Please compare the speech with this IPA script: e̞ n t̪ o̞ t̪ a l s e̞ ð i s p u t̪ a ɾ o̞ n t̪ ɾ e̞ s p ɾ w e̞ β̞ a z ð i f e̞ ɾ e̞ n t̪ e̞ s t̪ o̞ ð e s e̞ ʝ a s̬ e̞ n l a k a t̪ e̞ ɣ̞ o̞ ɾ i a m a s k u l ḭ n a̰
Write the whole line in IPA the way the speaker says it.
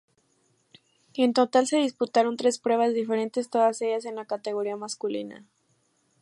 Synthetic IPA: e̞ n t̪ o̞ t̪ a l s e̞ ð i s p u t̪ a ɾ o̞ n t̪ ɾ e̞ s p ɾ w e̞ β̞ a z ð i f e̞ ɾ e̞ n t̪ e̞ s t̪ o̞ ð a s e̞ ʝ a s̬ e̞ n l a k a t̪ e̞ ɣ̞ o̞ ɾ i a m a s k u l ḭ n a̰